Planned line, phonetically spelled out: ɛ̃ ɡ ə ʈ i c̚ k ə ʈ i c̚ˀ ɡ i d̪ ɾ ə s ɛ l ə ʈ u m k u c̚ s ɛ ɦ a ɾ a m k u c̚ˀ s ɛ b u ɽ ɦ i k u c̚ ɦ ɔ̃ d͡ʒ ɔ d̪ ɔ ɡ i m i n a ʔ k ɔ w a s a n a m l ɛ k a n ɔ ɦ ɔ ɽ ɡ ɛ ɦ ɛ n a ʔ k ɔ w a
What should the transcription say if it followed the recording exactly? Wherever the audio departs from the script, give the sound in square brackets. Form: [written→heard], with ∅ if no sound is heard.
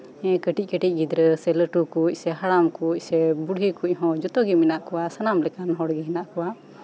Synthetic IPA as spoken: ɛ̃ [ɡ→k] ə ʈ i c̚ k ə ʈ i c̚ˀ ɡ i d̪ ɾ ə s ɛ l ə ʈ u [m→∅] k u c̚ s ɛ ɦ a [ɾ→ɽ] a m k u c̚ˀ s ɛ b u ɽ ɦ i k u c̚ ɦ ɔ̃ d͡ʒ ɔ [d̪→t̪] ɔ ɡ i m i n a ʔ k ɔ w a s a n a m l ɛ k a n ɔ ɦ ɔ ɽ ɡ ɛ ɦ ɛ n a ʔ k ɔ w a